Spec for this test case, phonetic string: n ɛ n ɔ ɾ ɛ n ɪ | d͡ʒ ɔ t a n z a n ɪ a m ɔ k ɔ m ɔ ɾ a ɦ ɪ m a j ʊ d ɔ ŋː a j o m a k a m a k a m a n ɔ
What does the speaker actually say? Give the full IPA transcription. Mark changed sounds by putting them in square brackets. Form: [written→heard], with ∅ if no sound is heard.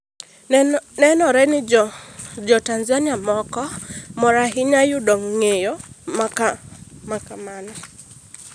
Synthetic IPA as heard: n ɛ n ɔ ɾ ɛ n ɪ | d͡ʒ ɔ t a n z a n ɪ a m ɔ k ɔ m ɔ ɾ a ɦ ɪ [m→ɲ] a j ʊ d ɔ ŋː [a→e] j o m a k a m a k a m a n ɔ